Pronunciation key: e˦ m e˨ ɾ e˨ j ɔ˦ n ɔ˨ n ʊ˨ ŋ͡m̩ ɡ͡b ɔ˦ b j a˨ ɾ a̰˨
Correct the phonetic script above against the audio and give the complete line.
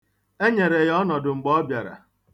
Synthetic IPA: e˦ ɲ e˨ ɾ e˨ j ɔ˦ n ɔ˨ d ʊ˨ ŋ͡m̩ ɡ͡b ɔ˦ b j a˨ ɾ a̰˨

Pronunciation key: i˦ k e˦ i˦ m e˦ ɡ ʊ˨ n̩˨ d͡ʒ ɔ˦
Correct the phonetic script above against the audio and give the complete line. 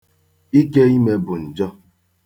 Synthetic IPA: i˦ k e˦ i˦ m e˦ b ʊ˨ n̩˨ d͡ʒ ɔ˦

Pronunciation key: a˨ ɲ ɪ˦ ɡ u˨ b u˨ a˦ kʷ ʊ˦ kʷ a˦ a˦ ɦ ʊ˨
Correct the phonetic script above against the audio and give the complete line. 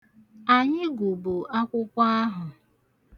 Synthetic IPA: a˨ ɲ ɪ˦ ɡ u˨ b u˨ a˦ kʷ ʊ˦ kʷ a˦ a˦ ɦ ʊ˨

